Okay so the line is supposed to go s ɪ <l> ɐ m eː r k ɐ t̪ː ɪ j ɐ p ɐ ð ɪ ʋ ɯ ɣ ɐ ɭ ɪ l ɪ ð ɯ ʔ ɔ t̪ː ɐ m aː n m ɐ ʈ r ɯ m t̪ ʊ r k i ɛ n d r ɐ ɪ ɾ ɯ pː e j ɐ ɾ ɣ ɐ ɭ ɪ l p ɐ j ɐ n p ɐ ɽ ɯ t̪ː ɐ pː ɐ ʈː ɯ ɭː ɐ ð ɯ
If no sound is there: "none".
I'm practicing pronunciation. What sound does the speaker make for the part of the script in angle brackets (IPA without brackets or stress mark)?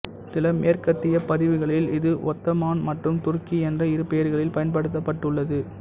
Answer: l